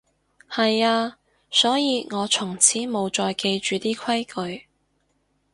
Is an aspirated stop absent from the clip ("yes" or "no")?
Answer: no